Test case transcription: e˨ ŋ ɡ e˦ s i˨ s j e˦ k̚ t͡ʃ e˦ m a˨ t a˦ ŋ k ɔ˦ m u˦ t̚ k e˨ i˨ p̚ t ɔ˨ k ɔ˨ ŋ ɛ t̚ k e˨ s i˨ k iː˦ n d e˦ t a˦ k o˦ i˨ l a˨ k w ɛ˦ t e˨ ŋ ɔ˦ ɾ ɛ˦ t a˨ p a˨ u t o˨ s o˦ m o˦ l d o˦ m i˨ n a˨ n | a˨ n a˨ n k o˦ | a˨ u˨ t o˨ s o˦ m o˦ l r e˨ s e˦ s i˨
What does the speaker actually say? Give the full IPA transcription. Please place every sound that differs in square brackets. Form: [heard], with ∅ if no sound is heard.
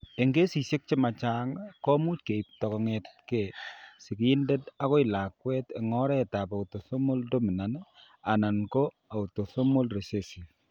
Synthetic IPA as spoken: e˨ ŋ ɡ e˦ s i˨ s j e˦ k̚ t͡ʃ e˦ m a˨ [t͡ʃ] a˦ ŋ k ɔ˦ m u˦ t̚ k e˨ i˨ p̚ t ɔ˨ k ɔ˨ ŋ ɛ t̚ k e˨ s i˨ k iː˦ n d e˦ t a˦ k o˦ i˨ l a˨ k w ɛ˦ t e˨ ŋ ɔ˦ ɾ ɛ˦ t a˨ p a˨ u t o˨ s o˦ m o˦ l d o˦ m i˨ n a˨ n | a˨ n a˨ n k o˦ | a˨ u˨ t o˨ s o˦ m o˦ l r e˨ s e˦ s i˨